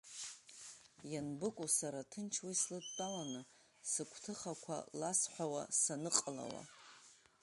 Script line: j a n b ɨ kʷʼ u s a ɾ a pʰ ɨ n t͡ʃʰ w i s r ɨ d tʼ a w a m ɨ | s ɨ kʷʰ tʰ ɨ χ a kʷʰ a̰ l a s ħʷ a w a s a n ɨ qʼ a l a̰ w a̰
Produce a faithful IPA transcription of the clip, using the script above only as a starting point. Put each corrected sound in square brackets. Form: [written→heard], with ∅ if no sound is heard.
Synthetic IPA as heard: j a n b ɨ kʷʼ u s a ɾ a [pʰ→tʰ] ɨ n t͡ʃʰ w i s [r→l] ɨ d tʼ a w a [m→n] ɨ | s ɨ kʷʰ tʰ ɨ χ a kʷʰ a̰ l a s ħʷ a w a s a n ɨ qʼ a l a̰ w a̰